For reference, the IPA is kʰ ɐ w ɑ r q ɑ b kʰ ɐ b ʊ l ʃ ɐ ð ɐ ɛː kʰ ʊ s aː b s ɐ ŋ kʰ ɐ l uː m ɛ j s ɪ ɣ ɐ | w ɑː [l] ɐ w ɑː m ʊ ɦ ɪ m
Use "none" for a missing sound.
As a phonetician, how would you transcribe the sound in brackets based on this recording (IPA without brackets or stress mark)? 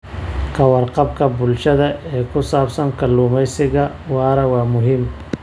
ɾ